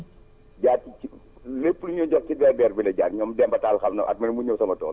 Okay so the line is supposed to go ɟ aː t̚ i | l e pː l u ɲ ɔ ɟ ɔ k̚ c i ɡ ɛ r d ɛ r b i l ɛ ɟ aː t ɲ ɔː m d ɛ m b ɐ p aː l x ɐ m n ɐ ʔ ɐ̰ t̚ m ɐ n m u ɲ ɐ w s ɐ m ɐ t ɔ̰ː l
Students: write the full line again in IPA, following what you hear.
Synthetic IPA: ɟ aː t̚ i | l e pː l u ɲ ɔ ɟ ɔ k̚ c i d ɛ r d ɛ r b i l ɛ ɟ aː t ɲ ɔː m d ɛ m b ɐ t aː l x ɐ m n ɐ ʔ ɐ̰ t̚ m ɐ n m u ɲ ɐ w s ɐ m ɐ t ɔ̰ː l